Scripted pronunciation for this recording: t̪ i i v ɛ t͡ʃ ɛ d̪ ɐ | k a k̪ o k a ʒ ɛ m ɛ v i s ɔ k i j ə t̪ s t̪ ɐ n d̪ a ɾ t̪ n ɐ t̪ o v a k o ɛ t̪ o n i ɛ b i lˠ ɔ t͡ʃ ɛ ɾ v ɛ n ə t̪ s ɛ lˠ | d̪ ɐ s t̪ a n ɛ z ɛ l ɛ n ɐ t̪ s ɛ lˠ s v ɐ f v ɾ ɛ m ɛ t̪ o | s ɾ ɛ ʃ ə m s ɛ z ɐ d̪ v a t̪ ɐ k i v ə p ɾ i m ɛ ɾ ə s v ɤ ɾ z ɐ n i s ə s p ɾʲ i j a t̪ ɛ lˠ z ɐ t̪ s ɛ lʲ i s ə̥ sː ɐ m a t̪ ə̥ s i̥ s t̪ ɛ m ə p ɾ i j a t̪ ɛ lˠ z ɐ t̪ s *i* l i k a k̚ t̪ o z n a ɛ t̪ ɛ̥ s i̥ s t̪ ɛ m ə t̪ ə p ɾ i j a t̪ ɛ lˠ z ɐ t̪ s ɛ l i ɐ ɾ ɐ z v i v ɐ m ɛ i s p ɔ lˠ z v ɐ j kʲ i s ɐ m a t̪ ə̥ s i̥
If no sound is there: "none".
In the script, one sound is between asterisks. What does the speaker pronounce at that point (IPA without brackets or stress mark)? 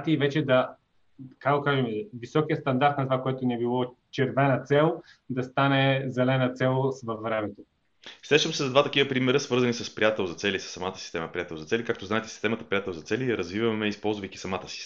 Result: ɛ